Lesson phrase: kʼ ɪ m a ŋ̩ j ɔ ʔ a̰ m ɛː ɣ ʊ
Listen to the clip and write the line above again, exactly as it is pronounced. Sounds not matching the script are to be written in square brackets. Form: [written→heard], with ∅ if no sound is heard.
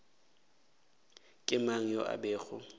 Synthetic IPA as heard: kʼ ɪ m a ŋ̩ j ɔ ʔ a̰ [m→b] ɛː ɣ ʊ